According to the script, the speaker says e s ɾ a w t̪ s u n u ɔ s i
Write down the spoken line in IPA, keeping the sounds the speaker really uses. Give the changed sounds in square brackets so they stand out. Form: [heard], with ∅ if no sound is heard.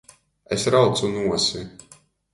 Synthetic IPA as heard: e s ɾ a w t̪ s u n u ɔ s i